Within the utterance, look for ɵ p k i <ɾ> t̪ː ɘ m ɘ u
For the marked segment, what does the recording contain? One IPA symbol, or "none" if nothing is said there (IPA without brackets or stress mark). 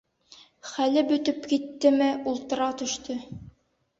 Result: none